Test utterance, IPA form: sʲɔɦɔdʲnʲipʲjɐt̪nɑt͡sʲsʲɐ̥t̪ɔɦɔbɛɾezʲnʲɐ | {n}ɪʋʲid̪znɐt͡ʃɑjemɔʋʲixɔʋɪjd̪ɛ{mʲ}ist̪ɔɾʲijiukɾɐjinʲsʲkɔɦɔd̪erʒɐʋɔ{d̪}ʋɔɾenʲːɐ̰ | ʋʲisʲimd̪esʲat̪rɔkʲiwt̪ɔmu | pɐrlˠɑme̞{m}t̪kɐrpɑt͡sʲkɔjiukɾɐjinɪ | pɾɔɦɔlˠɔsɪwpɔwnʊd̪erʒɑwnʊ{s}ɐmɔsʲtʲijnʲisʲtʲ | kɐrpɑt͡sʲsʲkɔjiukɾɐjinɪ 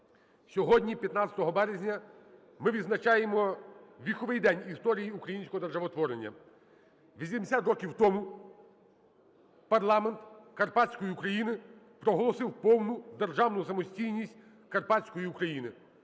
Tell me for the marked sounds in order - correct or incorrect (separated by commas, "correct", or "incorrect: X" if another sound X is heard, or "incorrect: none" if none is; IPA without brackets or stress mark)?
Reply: incorrect: m, incorrect: nʲ, incorrect: t̪, incorrect: n, correct